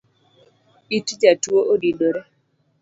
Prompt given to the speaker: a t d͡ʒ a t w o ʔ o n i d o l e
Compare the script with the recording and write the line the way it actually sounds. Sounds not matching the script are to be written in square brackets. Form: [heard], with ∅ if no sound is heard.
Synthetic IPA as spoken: [i] t d͡ʒ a t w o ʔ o [d] i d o [ɾ] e